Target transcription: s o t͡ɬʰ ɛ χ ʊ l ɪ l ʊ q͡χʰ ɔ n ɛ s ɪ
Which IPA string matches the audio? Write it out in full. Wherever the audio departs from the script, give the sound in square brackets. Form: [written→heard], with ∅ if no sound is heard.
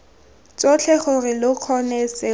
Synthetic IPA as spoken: [s→t͡s] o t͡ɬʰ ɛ χ ʊ [l→r] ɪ l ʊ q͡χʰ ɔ n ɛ s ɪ